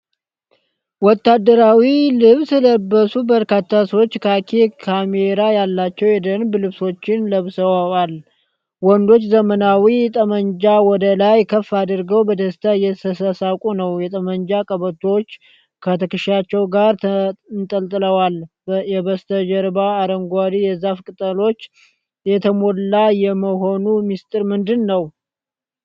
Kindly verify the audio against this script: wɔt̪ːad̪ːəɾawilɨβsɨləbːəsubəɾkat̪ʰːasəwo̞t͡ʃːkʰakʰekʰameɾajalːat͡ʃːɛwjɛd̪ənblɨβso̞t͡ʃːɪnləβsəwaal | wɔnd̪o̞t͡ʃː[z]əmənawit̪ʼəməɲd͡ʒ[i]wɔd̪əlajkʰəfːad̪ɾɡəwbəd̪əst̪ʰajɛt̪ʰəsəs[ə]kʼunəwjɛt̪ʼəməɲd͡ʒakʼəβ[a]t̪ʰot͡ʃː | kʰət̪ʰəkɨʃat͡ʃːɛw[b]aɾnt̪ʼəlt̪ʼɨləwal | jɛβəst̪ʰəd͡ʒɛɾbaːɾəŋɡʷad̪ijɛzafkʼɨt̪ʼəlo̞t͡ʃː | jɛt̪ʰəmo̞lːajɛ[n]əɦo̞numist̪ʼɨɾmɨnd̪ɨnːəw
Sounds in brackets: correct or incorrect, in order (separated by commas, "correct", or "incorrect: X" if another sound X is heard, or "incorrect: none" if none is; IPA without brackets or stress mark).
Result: correct, incorrect: a, incorrect: a, incorrect: ə, incorrect: ɡ, incorrect: m